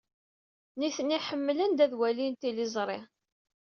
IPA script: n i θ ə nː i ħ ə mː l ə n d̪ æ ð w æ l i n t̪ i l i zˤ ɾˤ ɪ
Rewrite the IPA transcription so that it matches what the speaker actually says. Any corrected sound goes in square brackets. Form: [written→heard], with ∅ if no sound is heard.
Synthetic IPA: n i θ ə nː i ħ ə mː l ə n d̪ æ ð w æ l i n t̪ i l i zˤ ɾˤ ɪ